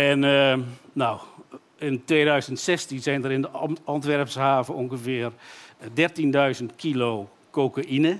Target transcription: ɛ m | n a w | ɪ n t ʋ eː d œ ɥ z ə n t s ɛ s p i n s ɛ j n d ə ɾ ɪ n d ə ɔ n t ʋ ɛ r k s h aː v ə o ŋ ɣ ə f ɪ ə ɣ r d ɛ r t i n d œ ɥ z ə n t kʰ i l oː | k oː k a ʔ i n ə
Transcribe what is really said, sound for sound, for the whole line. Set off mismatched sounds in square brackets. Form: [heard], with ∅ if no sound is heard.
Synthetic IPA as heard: ɛ [n] | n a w | ɪ n t ʋ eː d œ ɥ z ə n t s ɛ s [t] i n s ɛ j n d ə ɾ ɪ n d ə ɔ n t ʋ ɛ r [p] s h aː v ə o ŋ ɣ ə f ɪ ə [∅] r d ɛ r t i n d œ ɥ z ə n t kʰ i l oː | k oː k a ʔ i n ə